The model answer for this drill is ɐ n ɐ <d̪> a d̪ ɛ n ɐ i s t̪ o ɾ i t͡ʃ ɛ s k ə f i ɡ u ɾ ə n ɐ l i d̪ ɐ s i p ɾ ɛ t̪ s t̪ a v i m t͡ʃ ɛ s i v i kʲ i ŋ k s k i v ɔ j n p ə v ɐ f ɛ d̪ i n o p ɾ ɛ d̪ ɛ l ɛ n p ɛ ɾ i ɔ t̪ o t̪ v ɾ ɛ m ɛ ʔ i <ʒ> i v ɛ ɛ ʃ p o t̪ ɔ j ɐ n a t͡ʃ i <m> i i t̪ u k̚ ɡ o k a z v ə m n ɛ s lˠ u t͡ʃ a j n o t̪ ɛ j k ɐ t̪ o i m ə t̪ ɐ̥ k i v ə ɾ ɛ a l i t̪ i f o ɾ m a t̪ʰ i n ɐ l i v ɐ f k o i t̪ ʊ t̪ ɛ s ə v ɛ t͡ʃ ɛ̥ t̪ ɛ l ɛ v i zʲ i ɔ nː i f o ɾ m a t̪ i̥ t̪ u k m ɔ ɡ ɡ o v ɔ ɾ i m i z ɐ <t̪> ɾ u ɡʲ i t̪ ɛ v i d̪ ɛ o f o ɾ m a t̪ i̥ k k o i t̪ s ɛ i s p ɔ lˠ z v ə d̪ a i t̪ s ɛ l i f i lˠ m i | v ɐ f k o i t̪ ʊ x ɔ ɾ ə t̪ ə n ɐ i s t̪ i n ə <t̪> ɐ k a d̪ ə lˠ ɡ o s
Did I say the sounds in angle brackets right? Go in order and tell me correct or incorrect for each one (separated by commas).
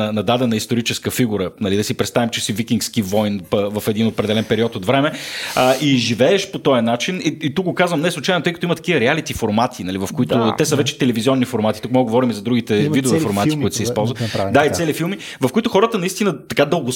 correct, correct, incorrect, incorrect, correct